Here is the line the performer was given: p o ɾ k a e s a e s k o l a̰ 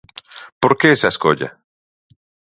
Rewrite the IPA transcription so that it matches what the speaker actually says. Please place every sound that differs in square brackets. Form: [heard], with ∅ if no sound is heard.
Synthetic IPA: p o ɾ k [e] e s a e s k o [ʎ] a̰